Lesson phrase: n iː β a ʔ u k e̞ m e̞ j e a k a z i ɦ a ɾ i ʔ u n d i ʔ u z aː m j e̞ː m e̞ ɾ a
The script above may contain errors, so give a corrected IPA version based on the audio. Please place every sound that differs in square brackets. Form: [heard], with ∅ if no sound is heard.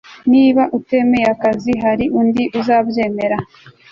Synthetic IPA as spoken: n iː β a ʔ u [t] e̞ m e̞ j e a k a z i ɦ a ɾ i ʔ u n d i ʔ u z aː [b] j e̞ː m e̞ ɾ a